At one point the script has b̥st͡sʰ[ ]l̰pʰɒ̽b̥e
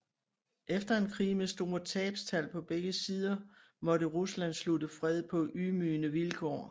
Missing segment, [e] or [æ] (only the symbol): æ